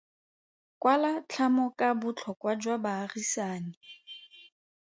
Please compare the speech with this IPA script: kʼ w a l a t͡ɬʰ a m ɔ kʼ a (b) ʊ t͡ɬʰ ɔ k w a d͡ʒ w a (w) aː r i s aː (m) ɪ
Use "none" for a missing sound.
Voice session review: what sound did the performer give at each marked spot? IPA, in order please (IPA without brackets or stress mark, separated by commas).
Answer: b, b, n